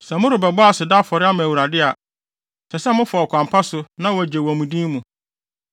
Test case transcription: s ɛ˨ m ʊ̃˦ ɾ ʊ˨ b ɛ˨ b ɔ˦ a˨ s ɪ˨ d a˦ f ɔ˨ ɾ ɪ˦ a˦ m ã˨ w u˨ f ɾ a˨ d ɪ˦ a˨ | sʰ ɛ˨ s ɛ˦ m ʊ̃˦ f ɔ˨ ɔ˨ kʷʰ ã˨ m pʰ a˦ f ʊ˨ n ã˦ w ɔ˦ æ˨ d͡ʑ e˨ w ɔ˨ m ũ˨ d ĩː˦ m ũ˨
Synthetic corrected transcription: s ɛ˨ m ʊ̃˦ ɾ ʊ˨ b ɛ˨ b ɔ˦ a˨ s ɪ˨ d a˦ f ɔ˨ ɾ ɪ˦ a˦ m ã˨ w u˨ ɾ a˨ d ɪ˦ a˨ | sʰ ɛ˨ s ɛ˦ m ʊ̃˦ f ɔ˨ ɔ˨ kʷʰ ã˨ m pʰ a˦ s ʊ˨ n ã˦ w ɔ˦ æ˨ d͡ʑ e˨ w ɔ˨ m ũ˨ d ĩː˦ m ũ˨